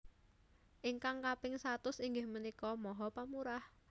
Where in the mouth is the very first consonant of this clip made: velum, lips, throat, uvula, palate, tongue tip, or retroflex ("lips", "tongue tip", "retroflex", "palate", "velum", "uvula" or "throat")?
throat